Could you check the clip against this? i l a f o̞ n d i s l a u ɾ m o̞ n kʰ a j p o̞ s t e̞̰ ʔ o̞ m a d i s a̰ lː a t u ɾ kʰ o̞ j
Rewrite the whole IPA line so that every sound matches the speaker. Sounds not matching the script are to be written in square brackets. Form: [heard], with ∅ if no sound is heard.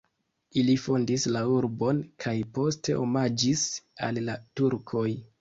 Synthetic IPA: i l [i] f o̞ n d i s l a u ɾ [b] o̞ n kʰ a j p o̞ s t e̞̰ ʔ o̞ m a [d͡ʒ] i s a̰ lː a t u ɾ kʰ o̞ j